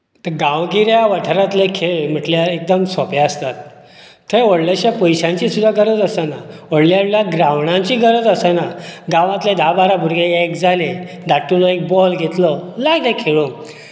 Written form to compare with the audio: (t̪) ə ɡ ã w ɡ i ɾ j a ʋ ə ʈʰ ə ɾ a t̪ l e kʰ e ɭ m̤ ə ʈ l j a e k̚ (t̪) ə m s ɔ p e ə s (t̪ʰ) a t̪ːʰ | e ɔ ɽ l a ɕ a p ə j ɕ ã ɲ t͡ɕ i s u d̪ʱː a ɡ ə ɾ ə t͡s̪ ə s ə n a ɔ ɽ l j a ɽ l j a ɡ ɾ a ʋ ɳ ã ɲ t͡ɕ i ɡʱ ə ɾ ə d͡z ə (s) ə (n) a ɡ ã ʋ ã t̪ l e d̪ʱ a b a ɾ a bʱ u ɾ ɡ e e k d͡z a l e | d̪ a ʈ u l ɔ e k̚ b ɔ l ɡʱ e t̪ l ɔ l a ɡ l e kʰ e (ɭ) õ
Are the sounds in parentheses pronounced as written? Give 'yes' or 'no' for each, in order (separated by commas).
yes, no, no, yes, yes, yes